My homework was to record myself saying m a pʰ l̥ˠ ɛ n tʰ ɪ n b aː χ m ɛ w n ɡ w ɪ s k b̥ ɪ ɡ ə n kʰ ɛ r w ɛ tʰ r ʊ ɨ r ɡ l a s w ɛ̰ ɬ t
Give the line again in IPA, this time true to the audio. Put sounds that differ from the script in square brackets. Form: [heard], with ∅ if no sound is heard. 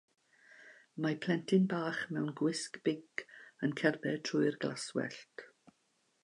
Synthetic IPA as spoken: m a pʰ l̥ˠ ɛ n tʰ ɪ n b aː χ m ɛ w n ɡ w ɪ s k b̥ ɪ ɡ ə n kʰ ɛ r [b] ɛ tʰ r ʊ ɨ r ɡ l a s w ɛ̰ ɬ t